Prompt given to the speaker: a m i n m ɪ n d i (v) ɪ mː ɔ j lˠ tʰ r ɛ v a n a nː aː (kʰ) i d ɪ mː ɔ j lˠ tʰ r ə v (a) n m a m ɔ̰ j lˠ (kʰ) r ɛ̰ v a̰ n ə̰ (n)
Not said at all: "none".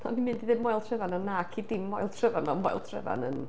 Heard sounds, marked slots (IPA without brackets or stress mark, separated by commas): ð, kʰ, a, tʰ, n